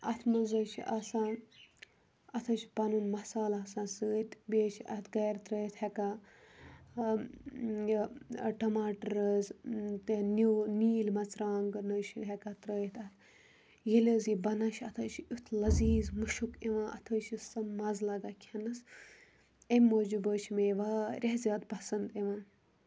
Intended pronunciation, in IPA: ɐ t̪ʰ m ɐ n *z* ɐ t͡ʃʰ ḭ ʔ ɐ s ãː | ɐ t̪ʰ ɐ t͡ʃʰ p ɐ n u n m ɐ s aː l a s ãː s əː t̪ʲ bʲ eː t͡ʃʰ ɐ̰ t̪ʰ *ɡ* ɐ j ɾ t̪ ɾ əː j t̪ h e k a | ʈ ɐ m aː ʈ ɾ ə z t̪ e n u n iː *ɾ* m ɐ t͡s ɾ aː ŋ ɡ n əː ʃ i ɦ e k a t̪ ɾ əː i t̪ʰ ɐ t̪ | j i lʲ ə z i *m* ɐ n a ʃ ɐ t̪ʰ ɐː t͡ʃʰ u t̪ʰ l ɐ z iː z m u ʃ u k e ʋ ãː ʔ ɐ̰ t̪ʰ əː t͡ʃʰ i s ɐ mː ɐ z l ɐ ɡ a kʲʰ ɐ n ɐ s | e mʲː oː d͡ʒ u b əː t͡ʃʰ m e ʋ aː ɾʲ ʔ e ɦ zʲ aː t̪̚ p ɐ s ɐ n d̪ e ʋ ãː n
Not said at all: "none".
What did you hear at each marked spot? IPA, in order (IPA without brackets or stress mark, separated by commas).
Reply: z, ɡ, l, b